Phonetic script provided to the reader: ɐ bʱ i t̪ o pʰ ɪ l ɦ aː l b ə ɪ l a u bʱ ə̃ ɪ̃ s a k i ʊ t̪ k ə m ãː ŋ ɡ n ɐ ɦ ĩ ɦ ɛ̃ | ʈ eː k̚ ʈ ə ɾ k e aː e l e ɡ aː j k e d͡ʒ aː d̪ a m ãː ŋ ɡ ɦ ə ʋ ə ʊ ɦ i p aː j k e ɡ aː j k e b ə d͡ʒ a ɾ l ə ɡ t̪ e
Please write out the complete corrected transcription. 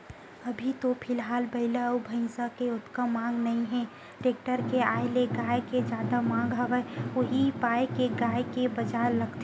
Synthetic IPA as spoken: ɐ bʱ i t̪ o pʰ ɪ l ɦ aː l b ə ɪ l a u bʱ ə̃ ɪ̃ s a k e ʊ t̪ k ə m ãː ŋ ɡ n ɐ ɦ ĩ ɦ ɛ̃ | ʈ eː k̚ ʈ ə ɾ k e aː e l e ɡ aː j k e d͡ʒ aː d̪ a m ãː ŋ ɡ ɦ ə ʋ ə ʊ ɦ i p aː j k e ɡ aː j k e b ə d͡ʒ a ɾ l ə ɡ t̪ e

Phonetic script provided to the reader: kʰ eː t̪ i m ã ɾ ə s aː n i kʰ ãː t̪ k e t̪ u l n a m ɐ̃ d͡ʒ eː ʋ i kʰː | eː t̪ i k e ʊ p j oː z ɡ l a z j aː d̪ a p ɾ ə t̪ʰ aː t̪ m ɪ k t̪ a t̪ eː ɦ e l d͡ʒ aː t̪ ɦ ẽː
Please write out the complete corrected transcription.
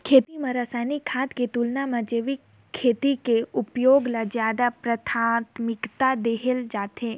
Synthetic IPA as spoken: kʰ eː t̪ i m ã ɾ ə s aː n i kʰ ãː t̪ k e t̪ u l n a m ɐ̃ d͡ʒ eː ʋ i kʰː | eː t̪ i k e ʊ p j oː ɡ l a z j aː d̪ a p ɾ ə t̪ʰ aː t̪ m ɪ k t̪ a d̪ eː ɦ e l d͡ʒ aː t̪ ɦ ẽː

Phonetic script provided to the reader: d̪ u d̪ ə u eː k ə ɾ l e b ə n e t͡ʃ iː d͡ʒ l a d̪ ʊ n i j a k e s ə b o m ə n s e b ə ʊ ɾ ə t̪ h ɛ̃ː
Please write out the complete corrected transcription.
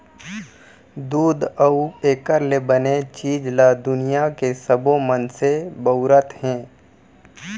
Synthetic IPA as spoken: d̪ uː d̪ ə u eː k ə ɾ l e b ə n e t͡ʃ iː d͡ʒ l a d̪ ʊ n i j a k e s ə b o m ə n s e b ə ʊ ɾ ə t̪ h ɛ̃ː

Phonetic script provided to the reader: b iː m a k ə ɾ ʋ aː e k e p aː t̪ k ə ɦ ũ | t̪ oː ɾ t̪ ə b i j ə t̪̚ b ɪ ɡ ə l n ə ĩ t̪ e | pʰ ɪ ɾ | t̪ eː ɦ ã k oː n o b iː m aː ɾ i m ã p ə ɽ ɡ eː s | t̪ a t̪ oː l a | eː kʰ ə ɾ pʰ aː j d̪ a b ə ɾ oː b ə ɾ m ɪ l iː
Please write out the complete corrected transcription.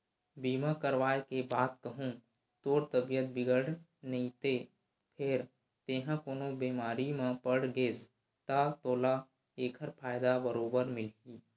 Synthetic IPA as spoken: b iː m a k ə ɾ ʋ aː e k e b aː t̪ k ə ɦ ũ | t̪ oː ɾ t̪ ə b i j ə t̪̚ b ɪ ɡ ə ɽ n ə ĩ t̪ e | pʰ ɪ ɾ | t̪ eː ɦ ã k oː n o b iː m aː ɾ i m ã p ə ɽ ɡ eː s | t̪ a t̪ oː l a | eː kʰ ə ɾ pʰ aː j d̪ a b ə ɾ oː b ə ɾ m ɪ l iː

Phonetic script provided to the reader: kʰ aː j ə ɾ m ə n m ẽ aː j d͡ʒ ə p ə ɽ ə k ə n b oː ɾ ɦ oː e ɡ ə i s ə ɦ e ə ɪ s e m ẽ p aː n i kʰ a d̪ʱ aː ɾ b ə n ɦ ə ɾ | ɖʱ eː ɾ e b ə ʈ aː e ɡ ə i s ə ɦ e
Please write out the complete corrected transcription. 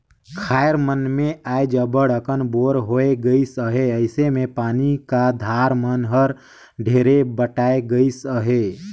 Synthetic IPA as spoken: kʰ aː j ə ɾ m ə n m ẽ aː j d͡ʒ ə b ə ɽ ə k ə n b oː ɾ ɦ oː e ɡ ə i s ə ɦ e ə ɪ s e m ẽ p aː n i k a d̪ʱ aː ɾ m ə n ɦ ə ɾ | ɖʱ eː ɾ e b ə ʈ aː e ɡ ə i s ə ɦ e

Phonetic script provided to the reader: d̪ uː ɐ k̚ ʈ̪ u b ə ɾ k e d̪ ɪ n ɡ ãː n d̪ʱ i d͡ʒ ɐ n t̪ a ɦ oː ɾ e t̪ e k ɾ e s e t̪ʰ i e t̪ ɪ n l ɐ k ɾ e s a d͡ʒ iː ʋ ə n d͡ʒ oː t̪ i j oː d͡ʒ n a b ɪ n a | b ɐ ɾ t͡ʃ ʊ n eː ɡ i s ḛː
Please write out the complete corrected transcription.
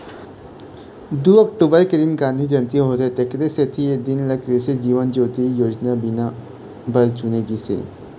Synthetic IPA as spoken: d̪ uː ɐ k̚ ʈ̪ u b ə ɾ k e d̪ ɪ n ɡ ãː n d̪ʱ i d͡ʒ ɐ n t̪ i ɦ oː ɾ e t̪ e k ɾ e s e t̪ʰ i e d̪ ɪ n l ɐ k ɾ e s e d͡ʒ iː ʋ ə n d͡ʒ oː t̪ i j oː d͡ʒ n a b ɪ n a | b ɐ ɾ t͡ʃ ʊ n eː ɡ i s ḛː

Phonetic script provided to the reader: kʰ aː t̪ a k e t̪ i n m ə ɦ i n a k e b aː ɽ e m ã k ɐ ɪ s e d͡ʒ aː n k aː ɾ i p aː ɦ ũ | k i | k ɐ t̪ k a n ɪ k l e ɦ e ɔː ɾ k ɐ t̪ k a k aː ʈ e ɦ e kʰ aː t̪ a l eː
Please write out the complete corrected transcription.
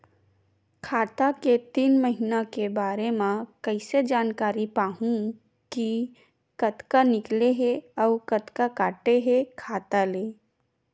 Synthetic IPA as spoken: kʰ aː t̪ a k e t̪ iː n m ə ɦ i n a k e b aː ɾ e m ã k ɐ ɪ s e d͡ʒ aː n k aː ɾ i p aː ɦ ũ | k i | k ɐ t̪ k a n ɪ k l e ɦ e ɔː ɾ k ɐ t̪ k a k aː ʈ e ɦ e kʰ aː t̪ a l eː

